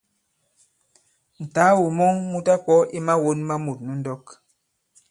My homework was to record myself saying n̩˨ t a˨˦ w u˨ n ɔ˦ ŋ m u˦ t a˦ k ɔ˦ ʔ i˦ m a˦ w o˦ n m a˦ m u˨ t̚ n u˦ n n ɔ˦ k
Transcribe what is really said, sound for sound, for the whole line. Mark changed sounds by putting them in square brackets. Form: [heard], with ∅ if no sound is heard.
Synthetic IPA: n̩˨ t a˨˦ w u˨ [m] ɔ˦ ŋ m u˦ t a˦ k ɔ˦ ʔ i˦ m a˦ w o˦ n m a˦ m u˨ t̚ n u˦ n [d] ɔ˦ k